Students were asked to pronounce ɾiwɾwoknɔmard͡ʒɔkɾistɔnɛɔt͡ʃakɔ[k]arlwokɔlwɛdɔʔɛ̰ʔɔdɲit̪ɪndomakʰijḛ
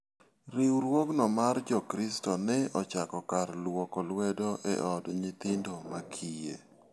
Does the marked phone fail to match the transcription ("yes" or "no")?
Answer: no